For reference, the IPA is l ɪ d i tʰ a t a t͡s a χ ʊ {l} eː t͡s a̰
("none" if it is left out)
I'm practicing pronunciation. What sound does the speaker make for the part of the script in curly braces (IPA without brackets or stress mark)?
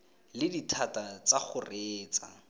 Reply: r